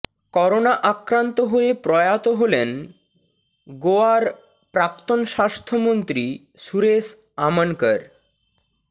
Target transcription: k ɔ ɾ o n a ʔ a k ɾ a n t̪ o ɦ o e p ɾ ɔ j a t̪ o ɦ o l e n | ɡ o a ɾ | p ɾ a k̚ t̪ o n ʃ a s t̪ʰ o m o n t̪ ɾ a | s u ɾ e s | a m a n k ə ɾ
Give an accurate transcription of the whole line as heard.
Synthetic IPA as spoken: k ɔ ɾ o n a ʔ a k ɾ a n t̪ o ɦ o e p ɾ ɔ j a t̪ o ɦ o l e n | ɡ o a ɾ | p ɾ a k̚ t̪ o n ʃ a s t̪ʰ o m o n t̪ ɾ i | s u ɾ e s | a m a n k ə ɾ